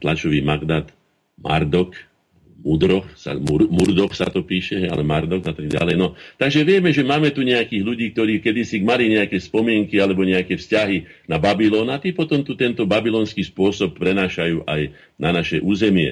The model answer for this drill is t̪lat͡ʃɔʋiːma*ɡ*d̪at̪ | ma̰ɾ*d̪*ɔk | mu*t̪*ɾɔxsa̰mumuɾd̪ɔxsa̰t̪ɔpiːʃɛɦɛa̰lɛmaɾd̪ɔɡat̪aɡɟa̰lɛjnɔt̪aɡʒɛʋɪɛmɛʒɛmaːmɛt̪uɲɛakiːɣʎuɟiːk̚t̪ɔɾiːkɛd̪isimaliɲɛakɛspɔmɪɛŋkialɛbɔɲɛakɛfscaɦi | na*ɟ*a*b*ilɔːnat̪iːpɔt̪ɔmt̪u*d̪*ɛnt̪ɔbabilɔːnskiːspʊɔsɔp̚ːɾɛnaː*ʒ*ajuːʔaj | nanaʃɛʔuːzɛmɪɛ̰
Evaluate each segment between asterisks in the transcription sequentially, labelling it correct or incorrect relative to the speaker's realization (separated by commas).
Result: correct, correct, incorrect, incorrect, correct, incorrect, incorrect